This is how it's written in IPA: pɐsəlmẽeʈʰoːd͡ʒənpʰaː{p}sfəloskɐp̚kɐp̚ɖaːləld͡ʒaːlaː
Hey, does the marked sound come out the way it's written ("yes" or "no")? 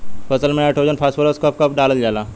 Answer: no